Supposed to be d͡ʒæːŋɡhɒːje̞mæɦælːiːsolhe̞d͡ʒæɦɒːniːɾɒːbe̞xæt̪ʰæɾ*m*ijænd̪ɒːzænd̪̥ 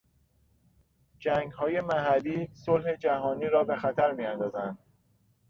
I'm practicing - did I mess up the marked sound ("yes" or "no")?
no